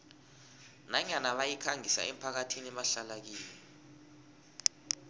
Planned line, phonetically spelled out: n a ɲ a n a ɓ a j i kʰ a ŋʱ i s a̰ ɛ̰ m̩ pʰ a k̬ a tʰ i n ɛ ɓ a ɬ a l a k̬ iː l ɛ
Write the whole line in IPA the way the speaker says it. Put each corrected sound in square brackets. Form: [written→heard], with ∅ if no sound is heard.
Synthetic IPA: n a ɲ a n a ɓ a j i kʰ a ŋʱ i s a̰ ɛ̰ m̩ pʰ a k̬ a tʰ i n ɛ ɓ a ɬ a l a k̬ iː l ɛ